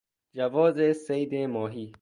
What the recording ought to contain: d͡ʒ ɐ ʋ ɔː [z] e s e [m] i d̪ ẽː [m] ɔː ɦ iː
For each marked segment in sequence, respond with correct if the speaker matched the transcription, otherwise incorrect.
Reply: correct, incorrect, correct

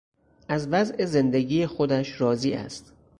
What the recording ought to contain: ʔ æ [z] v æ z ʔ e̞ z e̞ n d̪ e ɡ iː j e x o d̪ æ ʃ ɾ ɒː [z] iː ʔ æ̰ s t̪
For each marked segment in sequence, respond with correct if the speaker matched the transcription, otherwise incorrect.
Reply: correct, correct

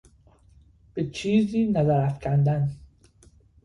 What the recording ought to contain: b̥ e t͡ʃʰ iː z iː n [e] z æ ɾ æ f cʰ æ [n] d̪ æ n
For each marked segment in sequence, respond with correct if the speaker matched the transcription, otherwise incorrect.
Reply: incorrect, correct

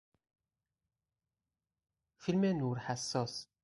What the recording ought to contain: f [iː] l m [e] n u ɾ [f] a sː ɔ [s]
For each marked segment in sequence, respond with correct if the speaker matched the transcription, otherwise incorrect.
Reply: incorrect, incorrect, incorrect, correct

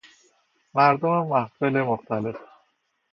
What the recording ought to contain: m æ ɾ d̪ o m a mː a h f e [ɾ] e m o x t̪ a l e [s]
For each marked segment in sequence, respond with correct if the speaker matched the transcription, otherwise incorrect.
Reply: incorrect, incorrect

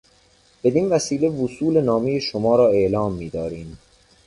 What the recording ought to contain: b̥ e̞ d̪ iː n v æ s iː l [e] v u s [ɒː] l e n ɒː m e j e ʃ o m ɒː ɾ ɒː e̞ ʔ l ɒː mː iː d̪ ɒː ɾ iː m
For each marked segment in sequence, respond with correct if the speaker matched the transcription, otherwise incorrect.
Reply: correct, incorrect

